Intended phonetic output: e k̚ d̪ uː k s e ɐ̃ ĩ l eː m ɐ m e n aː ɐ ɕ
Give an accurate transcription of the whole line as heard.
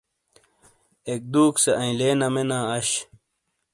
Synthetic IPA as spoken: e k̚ d̪ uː k s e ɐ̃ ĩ l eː n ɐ m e n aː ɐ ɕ